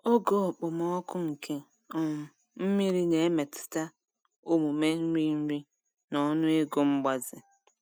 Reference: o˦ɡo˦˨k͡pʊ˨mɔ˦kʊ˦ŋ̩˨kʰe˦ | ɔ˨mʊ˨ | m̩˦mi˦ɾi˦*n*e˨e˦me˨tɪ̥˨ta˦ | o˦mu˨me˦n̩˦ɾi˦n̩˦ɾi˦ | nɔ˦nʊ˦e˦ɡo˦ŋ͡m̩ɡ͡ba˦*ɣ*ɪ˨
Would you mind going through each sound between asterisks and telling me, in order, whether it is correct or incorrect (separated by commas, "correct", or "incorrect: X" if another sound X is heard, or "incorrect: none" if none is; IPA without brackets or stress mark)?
correct, incorrect: z